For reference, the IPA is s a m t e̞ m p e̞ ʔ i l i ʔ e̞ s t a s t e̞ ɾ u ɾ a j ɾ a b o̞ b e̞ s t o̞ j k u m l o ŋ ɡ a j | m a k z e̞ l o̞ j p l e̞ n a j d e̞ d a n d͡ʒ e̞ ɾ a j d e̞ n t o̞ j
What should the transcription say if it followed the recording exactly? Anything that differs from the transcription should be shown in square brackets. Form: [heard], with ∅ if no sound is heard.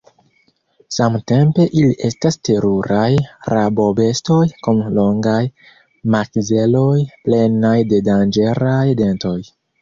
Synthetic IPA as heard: s a m t e̞ m p e̞ ʔ i l i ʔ e̞ s t a s t e̞ ɾ u ɾ a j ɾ a b o̞ b e̞ s t o̞ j k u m l o ŋ ɡ a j | m a k z e̞ l o̞ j p l e̞ n a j d e̞ d a n d͡ʒ e̞ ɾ a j d e̞ n t o̞ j